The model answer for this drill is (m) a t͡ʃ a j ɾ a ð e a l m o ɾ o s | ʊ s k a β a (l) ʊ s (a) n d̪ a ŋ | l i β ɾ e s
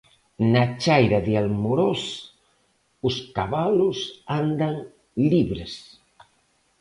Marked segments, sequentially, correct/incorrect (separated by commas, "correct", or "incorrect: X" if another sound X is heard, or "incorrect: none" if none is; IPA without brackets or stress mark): incorrect: n, correct, correct